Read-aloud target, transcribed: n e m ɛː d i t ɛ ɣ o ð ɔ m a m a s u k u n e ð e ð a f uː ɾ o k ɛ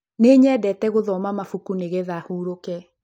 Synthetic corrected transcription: n e ɲ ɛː d ɛ t ɛ ɣ o ð ɔ m a m a f u k u n e ɣ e ð a h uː ɾ o k ɛ